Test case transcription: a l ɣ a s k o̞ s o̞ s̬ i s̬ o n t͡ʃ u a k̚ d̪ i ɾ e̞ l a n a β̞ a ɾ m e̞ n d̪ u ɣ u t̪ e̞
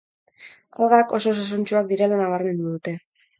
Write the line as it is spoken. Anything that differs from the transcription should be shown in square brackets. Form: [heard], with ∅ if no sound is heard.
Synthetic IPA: a l ɣ a [∅] k o̞ s o̞ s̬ [a] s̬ o n t͡ʃ u a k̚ d̪ i ɾ e̞ l a n a β̞ a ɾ m e̞ n d̪ u [ð] u t̪ e̞